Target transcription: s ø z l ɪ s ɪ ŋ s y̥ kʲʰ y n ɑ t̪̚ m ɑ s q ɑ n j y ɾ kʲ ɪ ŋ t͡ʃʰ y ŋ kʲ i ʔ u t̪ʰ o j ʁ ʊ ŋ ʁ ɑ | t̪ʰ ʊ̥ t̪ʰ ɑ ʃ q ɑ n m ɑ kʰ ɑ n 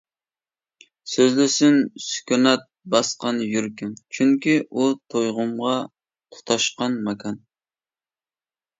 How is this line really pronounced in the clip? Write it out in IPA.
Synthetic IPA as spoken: s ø z l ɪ s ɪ n s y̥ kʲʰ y n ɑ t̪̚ b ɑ s q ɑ n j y ɾ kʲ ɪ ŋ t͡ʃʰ y ŋ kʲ i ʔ u t̪ʰ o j ʁ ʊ m ʁ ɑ | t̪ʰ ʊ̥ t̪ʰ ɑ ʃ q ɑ n m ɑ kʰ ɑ n